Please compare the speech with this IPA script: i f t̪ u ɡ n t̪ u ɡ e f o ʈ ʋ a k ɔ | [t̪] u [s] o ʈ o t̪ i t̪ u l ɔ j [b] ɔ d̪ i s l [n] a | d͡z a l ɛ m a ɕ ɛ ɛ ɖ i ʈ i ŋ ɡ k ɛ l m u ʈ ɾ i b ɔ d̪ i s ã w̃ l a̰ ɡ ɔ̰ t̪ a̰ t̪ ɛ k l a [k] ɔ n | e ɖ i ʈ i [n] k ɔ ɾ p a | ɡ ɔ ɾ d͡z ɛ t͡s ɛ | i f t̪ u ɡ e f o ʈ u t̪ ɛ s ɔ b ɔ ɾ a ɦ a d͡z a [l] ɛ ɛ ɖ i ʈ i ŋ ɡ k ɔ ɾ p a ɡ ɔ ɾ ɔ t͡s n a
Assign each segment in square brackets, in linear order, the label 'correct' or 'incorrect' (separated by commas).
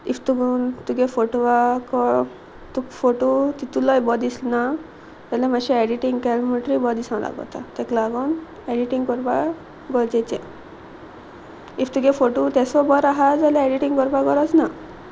correct, incorrect, correct, correct, incorrect, incorrect, correct